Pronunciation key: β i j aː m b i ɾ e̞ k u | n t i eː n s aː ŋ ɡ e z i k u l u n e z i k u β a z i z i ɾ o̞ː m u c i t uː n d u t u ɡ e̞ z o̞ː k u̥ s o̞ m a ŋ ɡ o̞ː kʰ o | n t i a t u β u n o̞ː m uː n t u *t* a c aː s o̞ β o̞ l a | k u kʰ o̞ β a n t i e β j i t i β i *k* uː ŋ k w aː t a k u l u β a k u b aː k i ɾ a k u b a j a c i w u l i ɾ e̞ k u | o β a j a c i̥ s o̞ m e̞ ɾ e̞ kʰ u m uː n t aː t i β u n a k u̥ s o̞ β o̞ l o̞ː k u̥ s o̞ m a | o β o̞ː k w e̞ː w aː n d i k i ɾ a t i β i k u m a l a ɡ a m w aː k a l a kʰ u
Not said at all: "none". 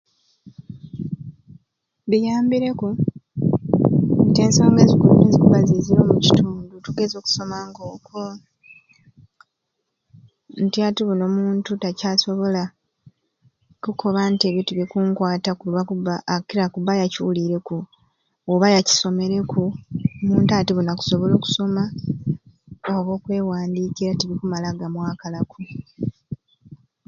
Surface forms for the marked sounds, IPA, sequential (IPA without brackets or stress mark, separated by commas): t, k